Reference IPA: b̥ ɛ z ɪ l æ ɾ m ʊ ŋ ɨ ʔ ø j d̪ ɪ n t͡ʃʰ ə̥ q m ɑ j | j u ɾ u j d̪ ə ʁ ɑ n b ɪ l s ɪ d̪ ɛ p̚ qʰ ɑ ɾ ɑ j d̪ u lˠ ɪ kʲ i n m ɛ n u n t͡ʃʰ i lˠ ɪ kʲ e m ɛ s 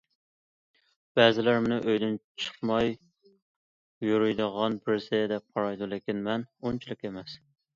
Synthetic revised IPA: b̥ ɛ z ɪ l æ ɾ m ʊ n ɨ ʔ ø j d̪ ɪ n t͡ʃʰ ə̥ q m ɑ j | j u ɾ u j d̪ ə ʁ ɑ n b ɪ ɾ s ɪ d̪ ɛ p̚ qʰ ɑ ɾ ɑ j d̪ u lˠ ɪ kʲ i n m ɛ n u n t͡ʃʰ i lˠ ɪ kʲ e m ɛ s